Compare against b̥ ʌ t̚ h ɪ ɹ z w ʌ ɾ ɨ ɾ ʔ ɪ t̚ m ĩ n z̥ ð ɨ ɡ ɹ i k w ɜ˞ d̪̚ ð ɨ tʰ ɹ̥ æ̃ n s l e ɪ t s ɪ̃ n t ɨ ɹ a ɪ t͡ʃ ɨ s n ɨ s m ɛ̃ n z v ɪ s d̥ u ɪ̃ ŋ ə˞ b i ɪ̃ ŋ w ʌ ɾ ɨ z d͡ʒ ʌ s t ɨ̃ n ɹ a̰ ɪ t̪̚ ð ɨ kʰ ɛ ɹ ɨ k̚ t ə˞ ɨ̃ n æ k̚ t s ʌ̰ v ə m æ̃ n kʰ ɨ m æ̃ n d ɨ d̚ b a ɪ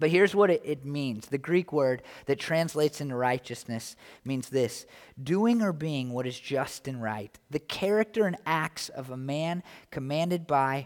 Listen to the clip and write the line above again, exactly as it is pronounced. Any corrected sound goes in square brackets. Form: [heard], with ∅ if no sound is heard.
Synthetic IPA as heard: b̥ ʌ t̚ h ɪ ɹ z w ʌ ɾ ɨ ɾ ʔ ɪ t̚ m ĩ n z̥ ð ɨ ɡ ɹ i k w ɜ˞ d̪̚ ð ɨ tʰ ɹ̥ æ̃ n s l e ɪ t s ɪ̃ n t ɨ ɹ a ɪ t͡ʃ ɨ s n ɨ s m [ĩ] n z [ð] ɪ s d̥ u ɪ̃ ŋ ə˞ b i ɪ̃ ŋ w ʌ ɾ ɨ z d͡ʒ ʌ s t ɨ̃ n ɹ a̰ ɪ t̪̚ ð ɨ kʰ ɛ ɹ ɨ k̚ t ə˞ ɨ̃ n æ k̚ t s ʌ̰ v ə m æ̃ n kʰ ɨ m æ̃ n d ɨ d̚ b a ɪ